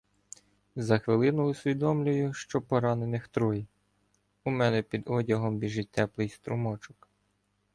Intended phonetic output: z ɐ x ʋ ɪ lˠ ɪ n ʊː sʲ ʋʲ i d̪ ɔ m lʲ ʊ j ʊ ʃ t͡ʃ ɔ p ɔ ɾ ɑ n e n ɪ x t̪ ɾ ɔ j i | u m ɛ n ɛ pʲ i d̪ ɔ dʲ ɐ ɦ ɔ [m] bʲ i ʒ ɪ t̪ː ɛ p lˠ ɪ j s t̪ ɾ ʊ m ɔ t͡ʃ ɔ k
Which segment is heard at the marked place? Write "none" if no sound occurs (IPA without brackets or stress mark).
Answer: m